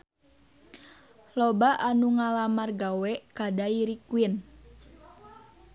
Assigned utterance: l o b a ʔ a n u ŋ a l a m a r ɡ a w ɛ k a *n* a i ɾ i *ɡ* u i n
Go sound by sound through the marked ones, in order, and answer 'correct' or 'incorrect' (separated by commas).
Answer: incorrect, incorrect